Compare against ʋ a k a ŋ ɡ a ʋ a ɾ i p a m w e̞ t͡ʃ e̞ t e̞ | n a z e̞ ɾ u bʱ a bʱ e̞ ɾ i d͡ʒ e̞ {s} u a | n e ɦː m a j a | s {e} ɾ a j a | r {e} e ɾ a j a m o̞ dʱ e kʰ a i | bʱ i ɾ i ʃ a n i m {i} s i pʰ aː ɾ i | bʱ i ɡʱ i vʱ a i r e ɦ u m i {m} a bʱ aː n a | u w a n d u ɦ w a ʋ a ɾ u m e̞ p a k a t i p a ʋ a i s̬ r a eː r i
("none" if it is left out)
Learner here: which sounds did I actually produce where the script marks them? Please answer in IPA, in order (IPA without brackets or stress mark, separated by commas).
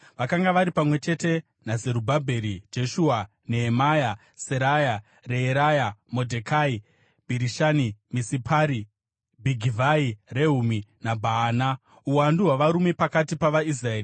ʃ, e, e, i, n